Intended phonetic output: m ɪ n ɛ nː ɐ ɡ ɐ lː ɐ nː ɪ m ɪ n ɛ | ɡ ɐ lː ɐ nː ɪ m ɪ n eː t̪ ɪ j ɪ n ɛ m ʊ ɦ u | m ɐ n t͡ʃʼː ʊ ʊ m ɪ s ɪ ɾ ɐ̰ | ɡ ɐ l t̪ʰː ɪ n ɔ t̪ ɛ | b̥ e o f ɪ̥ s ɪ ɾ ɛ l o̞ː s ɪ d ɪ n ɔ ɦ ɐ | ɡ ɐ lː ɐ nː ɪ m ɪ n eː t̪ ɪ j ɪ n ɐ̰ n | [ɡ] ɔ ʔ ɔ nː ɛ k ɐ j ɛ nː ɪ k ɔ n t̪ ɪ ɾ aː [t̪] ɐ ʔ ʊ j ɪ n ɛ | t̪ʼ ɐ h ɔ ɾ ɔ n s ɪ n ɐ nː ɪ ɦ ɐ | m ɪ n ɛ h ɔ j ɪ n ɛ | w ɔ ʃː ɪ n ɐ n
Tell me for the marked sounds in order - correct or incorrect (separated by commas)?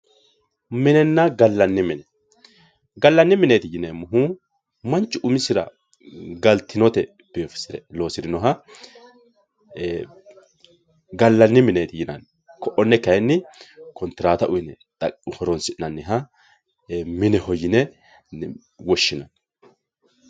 incorrect, correct